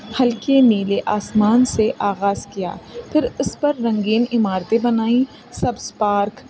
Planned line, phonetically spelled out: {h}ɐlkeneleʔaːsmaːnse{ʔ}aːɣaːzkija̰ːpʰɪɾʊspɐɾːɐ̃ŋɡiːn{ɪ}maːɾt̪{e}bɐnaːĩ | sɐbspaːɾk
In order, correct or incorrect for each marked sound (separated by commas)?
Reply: correct, correct, correct, correct